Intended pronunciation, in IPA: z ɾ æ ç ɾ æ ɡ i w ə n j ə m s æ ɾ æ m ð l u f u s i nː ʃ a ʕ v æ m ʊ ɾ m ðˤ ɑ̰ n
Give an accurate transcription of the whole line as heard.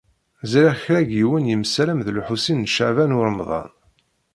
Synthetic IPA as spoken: z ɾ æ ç ɾ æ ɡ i w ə n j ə m s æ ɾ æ m ð l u ħ u s i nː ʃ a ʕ v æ n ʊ ɾ m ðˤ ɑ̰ n